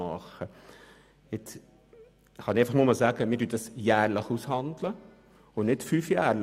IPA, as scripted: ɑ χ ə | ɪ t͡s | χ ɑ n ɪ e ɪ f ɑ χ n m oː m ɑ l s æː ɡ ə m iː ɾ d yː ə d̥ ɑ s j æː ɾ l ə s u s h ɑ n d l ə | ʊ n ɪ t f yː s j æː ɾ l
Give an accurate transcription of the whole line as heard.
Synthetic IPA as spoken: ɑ χ ə | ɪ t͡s | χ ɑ n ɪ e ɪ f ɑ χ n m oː m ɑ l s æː ɡ ə m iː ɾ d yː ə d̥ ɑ s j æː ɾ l ə χ u s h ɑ n d l ə | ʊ n ɪ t f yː f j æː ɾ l